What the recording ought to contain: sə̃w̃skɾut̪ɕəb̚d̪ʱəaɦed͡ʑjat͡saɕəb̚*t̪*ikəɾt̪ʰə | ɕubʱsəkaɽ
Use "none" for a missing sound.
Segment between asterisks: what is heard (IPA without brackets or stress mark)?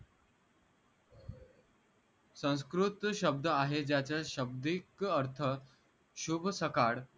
d̪